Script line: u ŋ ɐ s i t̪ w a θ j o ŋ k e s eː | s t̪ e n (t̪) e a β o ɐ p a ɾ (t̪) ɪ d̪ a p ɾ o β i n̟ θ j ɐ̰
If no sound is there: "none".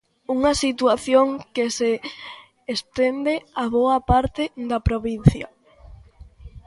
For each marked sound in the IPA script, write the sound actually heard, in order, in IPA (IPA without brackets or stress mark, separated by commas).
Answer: d̪, t̪